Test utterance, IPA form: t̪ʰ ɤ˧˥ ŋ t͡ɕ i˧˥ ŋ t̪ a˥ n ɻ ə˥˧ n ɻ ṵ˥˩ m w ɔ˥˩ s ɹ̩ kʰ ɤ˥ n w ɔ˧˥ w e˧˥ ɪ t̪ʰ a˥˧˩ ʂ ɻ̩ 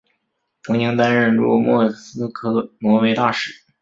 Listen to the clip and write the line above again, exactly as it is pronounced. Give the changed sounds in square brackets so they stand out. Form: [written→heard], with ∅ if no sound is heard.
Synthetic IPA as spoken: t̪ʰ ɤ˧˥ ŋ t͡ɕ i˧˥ ŋ t̪ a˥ n ɻ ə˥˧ n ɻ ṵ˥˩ m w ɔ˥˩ s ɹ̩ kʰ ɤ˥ n w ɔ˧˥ w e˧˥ ɪ [t̪ʰ→t̪] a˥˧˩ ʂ ɻ̩